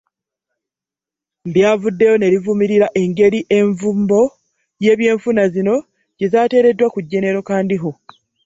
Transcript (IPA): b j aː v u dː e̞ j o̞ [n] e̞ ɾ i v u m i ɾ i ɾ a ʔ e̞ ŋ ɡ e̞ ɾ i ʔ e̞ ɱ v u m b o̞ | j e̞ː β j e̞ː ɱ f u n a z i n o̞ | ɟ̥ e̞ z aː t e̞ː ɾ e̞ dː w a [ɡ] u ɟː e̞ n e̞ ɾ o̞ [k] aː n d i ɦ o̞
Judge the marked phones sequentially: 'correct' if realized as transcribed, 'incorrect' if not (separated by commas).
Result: correct, incorrect, correct